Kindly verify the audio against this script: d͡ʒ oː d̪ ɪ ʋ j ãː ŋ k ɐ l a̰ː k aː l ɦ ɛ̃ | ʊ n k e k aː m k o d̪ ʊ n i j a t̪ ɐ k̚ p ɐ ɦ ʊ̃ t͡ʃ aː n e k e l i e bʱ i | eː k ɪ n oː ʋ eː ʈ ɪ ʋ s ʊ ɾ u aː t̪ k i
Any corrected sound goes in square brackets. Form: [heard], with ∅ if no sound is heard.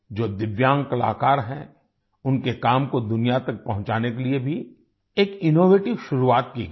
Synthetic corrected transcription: d͡ʒ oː d̪ ɪ ʋ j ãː ŋ k ɐ l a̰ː k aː [ɾ] ɦ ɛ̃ | ʊ n k e k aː m k o d̪ ʊ n i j a t̪ ɐ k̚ p ɐ ɦ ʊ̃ t͡ʃ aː n e k e l i e bʱ i | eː k ɪ n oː ʋ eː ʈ ɪ ʋ [ʃ] ʊ ɾ u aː t̪ k i